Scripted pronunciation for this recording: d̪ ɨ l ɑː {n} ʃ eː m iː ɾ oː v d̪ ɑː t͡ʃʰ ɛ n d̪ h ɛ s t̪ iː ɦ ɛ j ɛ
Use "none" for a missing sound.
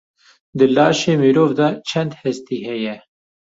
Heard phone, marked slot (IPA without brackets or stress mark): none